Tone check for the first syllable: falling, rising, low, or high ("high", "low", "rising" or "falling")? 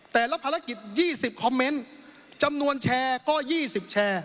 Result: low